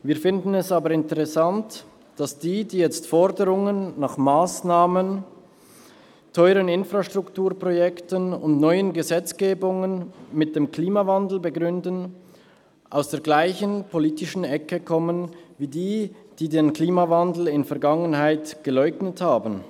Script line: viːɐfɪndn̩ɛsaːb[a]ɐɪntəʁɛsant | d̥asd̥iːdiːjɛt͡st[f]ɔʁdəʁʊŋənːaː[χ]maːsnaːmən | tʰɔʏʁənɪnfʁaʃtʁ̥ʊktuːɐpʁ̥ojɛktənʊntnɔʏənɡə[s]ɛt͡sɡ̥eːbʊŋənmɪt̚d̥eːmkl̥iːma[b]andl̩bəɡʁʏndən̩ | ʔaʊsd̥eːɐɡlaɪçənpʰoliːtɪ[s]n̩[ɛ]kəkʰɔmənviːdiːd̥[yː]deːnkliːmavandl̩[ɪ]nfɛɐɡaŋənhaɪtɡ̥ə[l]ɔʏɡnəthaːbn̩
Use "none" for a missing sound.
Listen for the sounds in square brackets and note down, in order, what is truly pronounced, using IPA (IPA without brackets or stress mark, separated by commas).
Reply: ə, f, χ, z, v, ʃ, ɛ, iː, ɪ, l